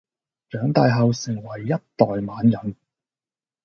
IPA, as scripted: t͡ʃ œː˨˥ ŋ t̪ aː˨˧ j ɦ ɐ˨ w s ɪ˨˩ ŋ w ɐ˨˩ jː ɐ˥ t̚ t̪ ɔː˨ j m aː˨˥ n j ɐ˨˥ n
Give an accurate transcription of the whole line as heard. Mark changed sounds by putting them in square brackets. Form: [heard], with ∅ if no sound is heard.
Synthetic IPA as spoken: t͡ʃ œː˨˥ ŋ t̪ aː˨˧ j ɦ ɐ˨ w s ɪ˨˩ ŋ w ɐ˨˩ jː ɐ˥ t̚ t̪ ɔː˨ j m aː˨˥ n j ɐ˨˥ n